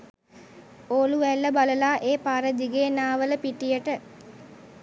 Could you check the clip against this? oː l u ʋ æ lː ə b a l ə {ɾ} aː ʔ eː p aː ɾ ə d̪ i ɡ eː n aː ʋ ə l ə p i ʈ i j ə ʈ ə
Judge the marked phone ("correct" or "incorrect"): incorrect